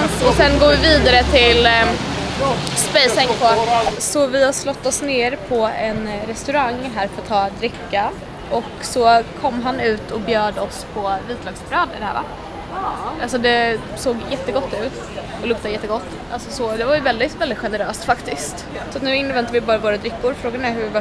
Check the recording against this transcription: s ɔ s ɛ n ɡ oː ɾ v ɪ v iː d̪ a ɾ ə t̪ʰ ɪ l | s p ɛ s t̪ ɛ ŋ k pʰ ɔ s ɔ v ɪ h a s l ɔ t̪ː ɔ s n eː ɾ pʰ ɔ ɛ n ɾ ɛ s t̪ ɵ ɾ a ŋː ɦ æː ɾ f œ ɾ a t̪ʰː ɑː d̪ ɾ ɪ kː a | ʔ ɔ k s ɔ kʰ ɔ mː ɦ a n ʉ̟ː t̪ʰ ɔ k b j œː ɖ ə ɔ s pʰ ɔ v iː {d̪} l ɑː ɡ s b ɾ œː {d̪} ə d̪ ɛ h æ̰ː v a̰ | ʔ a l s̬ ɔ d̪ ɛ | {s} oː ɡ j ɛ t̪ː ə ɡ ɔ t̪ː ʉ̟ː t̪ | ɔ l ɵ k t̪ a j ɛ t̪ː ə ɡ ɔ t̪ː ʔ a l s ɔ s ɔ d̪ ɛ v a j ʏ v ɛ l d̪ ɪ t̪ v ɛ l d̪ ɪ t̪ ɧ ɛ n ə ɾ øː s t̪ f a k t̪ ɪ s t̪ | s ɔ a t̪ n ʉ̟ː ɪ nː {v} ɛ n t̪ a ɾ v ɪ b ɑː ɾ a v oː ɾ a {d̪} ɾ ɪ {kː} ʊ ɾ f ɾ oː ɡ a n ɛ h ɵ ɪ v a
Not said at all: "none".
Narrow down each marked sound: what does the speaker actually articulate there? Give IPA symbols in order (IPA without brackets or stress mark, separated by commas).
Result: t̪, d̪, s, v, d̪, kː